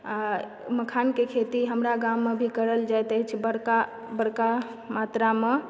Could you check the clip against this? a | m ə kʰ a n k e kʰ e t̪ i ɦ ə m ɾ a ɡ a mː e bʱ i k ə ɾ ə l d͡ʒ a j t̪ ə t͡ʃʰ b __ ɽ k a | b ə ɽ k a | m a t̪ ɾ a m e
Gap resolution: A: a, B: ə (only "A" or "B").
B